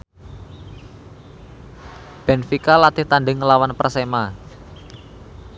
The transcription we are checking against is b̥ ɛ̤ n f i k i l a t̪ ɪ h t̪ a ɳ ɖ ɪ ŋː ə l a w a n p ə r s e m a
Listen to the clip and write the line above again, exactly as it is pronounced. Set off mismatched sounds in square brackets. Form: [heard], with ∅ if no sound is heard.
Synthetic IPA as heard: b̥ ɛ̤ n f i k [a] l a t̪ ɪ h t̪ a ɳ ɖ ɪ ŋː ə l a w a n p ə r s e m a